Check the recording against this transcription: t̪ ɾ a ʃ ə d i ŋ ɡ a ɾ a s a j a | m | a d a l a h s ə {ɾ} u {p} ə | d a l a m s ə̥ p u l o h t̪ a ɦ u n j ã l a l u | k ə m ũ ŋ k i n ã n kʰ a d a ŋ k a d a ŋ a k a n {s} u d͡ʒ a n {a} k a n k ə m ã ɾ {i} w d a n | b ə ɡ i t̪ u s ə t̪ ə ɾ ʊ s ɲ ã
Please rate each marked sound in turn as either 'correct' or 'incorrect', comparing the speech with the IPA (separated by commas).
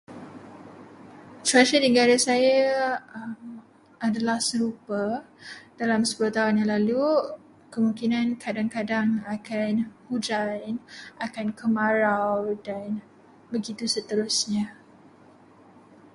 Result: correct, correct, incorrect, correct, incorrect